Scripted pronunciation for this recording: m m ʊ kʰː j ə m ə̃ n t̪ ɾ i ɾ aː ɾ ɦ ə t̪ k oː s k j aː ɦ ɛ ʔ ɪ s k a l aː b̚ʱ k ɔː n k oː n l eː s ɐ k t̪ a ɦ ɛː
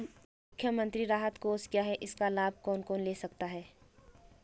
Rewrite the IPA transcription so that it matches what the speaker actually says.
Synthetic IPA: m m ʊ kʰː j ə m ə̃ n t̪ ɾ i ɾ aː ɦ ə t̪ k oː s k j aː ɦ ɛ ʔ ɪ s k a l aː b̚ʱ k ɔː n k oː n l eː s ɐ k t̪ a ɦ ɛː